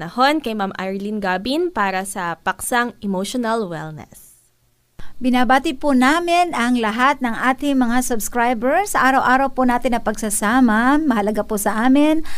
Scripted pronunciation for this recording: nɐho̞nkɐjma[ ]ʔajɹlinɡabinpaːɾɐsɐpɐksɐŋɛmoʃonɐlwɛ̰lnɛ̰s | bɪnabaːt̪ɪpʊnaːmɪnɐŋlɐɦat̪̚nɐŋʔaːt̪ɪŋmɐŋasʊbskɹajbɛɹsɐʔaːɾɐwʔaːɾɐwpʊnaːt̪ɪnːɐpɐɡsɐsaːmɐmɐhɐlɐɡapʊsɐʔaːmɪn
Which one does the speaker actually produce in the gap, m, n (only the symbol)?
m